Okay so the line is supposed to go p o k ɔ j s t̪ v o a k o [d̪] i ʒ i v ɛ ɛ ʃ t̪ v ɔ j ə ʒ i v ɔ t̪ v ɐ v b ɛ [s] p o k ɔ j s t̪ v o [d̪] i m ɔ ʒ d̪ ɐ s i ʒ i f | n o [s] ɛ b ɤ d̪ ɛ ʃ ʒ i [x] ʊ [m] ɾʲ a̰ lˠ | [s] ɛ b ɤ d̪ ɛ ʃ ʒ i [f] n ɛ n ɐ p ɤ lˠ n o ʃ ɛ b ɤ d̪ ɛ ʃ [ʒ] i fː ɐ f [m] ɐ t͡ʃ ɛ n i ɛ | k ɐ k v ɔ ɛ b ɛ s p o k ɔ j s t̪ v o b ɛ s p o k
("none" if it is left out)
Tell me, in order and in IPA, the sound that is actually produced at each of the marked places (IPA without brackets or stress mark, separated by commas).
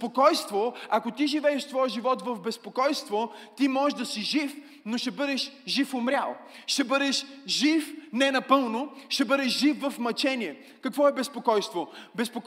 t̪, s, t̪, ʃ, f, m, ʃ, f, ʒ, m